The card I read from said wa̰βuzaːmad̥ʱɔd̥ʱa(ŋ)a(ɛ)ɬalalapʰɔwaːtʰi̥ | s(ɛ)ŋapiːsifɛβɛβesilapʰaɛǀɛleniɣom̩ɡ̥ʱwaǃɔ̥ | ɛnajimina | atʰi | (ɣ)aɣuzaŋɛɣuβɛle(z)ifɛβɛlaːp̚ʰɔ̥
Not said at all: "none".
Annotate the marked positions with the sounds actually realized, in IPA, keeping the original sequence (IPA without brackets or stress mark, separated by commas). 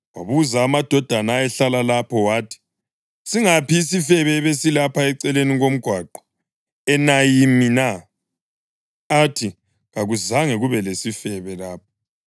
n, ɛ, i, ɣ, s